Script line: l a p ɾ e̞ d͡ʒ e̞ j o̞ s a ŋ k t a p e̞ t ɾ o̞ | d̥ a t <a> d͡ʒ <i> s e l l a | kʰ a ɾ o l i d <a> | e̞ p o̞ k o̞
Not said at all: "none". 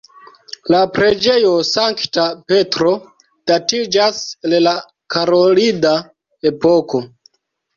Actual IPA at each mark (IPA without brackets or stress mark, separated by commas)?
i, a, a